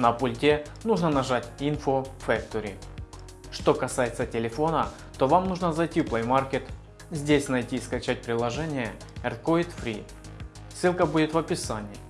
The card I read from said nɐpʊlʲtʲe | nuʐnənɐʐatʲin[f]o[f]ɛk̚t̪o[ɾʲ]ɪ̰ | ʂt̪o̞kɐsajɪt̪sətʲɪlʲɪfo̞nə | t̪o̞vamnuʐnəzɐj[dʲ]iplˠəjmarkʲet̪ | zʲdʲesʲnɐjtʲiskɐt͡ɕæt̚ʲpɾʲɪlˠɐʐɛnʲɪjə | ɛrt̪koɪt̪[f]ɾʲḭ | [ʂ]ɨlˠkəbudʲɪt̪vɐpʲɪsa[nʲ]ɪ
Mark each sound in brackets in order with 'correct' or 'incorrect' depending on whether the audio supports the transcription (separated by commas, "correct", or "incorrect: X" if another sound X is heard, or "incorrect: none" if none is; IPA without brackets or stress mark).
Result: correct, correct, correct, incorrect: tʲ, correct, incorrect: s, correct